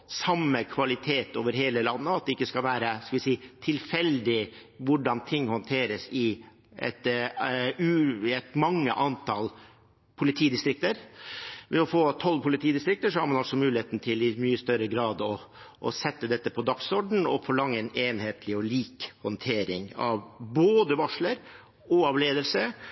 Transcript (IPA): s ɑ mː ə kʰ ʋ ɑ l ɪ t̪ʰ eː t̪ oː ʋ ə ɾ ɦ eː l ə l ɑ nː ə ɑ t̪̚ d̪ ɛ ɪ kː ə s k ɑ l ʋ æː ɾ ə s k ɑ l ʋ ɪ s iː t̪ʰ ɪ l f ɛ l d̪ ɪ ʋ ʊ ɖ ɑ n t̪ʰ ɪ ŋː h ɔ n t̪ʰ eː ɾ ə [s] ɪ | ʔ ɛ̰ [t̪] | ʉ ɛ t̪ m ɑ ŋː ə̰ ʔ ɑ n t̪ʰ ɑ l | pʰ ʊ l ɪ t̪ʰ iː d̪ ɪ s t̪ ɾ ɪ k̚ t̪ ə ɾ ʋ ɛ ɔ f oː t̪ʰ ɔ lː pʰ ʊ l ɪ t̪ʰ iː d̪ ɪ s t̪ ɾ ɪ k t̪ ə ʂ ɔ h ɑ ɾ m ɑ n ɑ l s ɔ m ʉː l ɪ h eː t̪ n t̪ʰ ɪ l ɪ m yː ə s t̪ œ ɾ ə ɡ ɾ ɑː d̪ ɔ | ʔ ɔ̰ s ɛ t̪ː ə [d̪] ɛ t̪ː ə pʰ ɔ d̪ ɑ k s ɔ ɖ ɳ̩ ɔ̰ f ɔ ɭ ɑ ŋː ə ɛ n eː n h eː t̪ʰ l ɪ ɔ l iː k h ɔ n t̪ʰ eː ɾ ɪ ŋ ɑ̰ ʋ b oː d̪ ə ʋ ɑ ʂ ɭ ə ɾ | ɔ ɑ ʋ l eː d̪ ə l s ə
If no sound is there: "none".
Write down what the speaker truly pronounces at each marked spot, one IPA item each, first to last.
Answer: s, t̪, d̪

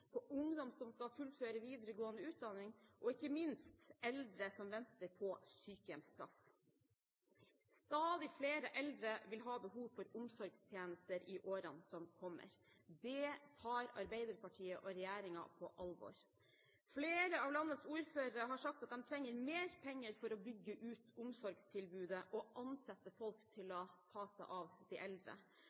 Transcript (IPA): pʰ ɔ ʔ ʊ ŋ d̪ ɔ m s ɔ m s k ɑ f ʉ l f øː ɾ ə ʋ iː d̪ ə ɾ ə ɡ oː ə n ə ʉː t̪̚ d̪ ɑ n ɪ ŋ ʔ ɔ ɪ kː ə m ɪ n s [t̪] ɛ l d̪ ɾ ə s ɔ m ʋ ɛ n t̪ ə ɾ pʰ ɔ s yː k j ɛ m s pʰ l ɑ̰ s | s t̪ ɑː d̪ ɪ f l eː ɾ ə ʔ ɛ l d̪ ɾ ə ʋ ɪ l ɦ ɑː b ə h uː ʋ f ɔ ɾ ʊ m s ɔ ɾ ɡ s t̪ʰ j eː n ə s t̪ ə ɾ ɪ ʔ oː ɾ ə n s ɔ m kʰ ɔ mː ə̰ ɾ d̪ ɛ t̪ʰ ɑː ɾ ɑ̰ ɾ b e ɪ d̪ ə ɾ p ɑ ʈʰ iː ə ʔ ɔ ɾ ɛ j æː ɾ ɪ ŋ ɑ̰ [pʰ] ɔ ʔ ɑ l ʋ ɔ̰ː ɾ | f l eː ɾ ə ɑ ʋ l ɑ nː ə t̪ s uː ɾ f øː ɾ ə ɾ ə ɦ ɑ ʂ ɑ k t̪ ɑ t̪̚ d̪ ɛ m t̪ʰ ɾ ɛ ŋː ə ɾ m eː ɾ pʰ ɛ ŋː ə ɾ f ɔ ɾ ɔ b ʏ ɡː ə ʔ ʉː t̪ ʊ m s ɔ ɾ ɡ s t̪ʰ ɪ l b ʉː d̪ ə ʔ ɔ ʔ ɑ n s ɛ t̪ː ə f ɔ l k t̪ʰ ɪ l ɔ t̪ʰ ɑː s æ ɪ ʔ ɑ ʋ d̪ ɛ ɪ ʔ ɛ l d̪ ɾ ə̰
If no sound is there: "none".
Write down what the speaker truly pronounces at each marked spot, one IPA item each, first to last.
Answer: t̪, pʰ

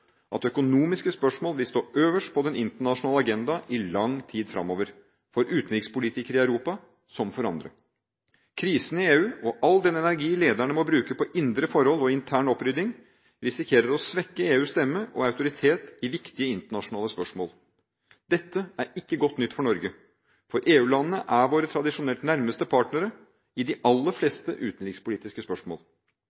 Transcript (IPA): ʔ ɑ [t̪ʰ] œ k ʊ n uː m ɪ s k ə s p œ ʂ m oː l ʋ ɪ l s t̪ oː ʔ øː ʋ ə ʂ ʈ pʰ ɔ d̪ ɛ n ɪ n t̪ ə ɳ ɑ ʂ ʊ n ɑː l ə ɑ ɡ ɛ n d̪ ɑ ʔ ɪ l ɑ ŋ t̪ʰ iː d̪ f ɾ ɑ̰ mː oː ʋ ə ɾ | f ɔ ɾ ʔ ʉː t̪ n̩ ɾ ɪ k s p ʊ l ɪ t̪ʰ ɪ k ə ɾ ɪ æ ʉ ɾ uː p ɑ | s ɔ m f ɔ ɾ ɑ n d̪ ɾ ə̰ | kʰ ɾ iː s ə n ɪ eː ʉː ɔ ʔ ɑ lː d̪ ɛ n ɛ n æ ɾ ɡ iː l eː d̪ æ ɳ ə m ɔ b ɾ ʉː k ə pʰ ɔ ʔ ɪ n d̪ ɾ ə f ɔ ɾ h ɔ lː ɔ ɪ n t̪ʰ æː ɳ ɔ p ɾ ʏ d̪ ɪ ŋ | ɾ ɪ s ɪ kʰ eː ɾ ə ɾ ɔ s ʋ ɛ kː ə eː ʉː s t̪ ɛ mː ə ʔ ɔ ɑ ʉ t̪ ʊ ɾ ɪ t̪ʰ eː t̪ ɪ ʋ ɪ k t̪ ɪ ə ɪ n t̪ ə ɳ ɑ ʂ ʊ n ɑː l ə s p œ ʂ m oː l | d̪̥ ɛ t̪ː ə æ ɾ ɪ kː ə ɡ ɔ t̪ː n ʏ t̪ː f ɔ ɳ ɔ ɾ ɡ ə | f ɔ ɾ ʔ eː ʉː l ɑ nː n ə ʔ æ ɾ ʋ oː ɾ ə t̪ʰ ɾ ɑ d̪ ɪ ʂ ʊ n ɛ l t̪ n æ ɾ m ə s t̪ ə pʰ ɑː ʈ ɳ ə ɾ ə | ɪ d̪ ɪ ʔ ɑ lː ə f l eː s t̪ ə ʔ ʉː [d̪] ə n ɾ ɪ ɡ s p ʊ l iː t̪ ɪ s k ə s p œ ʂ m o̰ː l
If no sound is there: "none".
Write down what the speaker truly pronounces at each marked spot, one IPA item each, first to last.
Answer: t̪, t̪

